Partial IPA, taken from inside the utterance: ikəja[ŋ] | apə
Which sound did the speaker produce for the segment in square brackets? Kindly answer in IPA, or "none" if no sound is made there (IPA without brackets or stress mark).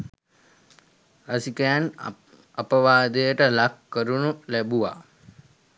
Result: n